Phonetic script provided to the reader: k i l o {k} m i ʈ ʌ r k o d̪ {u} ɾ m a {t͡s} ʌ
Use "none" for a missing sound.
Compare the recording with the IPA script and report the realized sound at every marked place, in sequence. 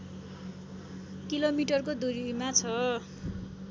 none, u, t͡sʰ

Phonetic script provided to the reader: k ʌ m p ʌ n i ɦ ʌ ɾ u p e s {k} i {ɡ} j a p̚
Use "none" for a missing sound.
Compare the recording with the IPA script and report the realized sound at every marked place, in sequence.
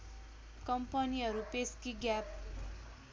k, ɡ

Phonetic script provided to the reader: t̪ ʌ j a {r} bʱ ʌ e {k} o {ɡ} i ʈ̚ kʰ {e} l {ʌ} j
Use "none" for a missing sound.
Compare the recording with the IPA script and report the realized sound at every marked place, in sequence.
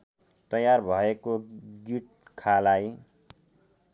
r, k, ɡ, a, a

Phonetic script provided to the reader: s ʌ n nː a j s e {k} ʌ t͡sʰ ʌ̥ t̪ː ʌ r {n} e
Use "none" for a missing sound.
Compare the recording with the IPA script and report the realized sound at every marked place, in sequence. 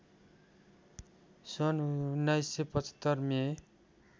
p, m

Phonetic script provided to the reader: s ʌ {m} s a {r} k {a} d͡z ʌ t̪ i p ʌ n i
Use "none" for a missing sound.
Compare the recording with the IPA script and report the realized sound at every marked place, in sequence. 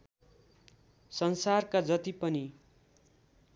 n, r, a

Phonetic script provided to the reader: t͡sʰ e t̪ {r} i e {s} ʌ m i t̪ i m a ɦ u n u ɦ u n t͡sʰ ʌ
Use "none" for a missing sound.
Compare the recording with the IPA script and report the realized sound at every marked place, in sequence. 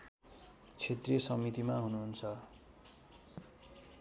r, s

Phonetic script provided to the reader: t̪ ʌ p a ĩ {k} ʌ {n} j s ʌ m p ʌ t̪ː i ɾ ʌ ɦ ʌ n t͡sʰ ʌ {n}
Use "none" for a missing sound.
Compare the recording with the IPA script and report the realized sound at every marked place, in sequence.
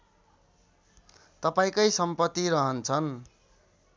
k, none, n

